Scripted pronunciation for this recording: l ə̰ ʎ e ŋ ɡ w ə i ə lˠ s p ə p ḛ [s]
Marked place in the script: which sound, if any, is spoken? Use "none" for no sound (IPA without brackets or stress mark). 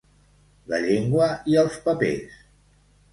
s